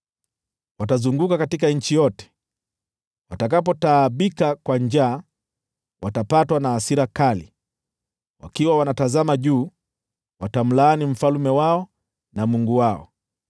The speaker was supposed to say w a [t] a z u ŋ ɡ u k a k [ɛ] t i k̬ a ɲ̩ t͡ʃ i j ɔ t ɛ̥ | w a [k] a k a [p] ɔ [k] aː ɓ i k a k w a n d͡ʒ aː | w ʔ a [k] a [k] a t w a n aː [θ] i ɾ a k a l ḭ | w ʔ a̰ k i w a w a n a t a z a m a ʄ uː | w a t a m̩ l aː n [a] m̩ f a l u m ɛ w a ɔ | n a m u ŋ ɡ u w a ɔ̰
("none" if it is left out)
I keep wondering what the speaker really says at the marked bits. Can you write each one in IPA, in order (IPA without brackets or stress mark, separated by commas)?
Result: t, a, t, p, t, t, p, s, i